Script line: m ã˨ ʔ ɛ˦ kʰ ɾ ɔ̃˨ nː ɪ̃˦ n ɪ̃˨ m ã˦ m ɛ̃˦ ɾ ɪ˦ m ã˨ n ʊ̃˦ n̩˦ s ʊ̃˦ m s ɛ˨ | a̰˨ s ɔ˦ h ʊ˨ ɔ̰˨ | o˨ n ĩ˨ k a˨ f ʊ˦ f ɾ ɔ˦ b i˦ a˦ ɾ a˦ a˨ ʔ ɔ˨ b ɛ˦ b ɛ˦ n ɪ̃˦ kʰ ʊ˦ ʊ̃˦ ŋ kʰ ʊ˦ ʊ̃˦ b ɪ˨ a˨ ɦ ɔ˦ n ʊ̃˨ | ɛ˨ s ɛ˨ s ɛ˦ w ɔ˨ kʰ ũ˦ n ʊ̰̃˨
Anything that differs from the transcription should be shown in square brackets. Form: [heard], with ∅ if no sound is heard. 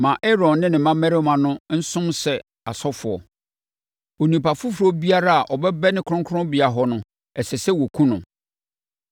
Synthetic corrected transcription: m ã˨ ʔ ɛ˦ [∅] ɾ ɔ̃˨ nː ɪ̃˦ n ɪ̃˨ m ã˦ m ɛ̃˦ ɾ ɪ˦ m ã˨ n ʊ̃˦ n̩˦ s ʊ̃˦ m s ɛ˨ | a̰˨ s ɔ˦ [f] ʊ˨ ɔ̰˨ | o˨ n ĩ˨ [p] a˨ f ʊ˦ f ɾ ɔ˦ b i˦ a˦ ɾ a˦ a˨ ʔ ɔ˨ b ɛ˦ b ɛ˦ n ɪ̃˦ kʰ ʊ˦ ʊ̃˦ ŋ kʰ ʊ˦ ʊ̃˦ b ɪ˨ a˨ ɦ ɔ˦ n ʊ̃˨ | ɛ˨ s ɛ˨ s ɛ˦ w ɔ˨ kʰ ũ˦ n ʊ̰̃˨